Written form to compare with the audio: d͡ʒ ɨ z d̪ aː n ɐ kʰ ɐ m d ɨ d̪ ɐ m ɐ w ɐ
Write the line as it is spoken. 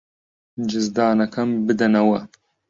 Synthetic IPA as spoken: d͡ʒ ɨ z d̪ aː n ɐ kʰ ɐ m b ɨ d̪ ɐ n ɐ w ɐ